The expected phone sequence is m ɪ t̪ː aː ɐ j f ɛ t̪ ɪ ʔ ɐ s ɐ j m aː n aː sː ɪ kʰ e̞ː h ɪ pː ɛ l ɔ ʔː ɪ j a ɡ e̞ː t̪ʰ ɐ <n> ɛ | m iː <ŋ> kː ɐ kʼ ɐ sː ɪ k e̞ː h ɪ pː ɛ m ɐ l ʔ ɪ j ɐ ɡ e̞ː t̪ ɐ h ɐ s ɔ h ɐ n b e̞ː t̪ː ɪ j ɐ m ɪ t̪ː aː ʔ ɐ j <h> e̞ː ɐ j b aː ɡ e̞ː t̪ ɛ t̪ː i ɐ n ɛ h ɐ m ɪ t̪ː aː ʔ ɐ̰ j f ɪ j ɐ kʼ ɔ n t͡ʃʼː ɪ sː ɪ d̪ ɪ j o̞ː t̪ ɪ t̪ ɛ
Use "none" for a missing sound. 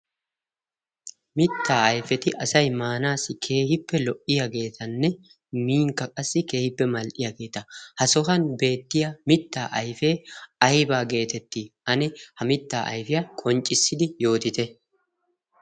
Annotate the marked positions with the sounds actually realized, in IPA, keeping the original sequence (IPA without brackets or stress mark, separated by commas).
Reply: nː, ŋ, f